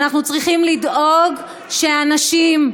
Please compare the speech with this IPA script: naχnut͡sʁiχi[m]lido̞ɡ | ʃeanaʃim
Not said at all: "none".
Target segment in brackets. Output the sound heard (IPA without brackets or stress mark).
m